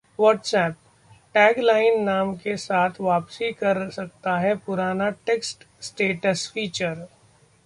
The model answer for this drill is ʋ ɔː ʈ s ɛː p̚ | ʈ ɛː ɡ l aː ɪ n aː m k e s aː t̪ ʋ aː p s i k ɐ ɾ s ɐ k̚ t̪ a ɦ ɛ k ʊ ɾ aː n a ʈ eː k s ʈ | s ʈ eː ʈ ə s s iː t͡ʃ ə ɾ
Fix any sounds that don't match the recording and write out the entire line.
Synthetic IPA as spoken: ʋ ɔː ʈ s ɛː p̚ | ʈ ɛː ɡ l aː ɪ nː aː m k e s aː t̪ʰ ʋ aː p s i k ɐ ɾ s ɐ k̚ t̪ a ɦ ɛ p ʊ ɾ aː n a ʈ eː k s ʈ | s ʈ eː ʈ ə s f iː t͡ʃ ə ɾ